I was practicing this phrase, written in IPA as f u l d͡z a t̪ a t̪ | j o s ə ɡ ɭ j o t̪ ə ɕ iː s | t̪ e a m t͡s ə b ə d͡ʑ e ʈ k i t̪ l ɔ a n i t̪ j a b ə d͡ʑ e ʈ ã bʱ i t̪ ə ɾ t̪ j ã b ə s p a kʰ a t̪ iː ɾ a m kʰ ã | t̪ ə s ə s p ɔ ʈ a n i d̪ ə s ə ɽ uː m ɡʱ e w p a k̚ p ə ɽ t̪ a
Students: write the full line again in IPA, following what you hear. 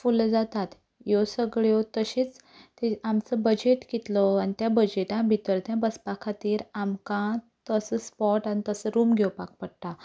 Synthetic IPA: f u l d͡z a t̪ a t̪ | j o s ə ɡ ɭ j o t̪ ə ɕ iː t͡s | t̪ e a m t͡s ə b ə d͡ʑ e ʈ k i t̪ l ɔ a n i t̪ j a b ə d͡ʑ e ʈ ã bʱ i t̪ ə ɾ t̪ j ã b ə s p a kʰ a t̪ iː ɾ a m k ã | t̪ ə s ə s p ɔ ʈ a n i t̪ ə s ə ɾ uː m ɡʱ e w p a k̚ p ə ɽ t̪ a